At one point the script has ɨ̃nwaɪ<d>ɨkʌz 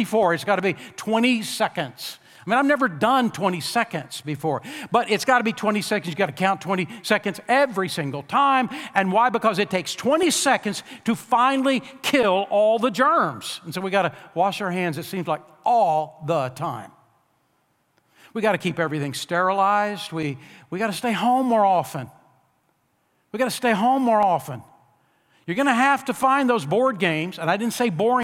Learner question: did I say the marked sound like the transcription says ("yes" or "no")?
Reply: no